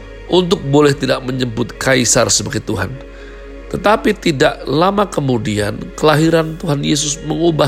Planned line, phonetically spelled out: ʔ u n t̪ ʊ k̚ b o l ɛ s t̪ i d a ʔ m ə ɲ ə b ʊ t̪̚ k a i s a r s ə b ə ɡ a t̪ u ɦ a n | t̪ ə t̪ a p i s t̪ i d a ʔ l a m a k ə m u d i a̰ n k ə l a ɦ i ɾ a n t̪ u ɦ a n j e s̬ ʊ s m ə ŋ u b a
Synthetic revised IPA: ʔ u n t̪ ʊ k̚ b o l ɛ h t̪ i d a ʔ m ə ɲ ə b ʊ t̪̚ k a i s a r s ə b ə ɡ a t̪ u ɦ a n | t̪ ə t̪ a p i t̪ i d a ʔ l a m a k ə m u d i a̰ n k ə l a ɦ i ɾ a n t̪ u ɦ a n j e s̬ ʊ s m ə ŋ u b a